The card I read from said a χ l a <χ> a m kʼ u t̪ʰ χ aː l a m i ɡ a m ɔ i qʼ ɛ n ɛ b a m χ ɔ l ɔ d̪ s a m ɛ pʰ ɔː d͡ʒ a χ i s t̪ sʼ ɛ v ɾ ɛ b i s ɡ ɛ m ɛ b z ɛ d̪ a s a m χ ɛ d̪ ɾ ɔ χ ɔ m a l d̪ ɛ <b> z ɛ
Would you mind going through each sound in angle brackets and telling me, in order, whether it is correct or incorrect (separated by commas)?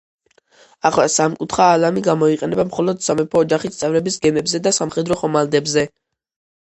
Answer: incorrect, correct